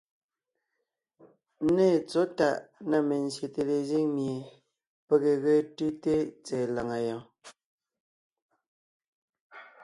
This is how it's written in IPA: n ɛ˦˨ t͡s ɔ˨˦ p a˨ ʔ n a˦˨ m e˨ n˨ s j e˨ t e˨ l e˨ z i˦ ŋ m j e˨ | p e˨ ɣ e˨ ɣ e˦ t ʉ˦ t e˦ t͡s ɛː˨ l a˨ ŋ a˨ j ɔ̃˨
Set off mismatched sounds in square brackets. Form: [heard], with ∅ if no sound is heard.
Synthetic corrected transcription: n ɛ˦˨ t͡s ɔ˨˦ [t] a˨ ʔ n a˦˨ m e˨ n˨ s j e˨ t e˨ l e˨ z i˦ ŋ m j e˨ | p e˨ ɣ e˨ ɣ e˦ t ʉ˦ t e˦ t͡s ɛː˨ l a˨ ŋ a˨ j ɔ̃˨